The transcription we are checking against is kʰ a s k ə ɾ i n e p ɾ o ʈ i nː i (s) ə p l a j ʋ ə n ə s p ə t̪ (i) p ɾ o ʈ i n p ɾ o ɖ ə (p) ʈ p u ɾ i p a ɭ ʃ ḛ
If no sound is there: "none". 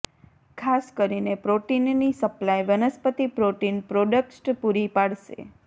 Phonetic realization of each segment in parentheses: s, i, k

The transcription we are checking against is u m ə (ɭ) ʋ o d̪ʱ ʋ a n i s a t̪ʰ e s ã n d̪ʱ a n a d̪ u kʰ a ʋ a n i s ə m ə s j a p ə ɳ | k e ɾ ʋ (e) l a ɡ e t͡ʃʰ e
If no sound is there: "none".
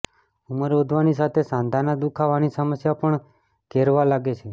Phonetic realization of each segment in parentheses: ɾ, a

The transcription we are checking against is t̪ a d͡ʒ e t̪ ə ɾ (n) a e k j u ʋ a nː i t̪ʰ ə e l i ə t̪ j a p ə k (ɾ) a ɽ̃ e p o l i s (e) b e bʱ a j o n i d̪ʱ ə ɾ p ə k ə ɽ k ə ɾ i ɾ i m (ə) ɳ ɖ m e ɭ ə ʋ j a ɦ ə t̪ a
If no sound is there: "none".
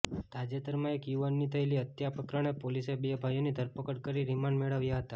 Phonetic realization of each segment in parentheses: m, ɾ, e, a

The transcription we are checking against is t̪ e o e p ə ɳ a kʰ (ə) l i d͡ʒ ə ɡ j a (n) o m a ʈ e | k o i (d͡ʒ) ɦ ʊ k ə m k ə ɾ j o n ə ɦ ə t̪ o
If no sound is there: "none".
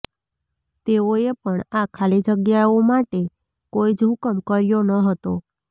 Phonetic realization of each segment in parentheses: a, none, d͡ʒ

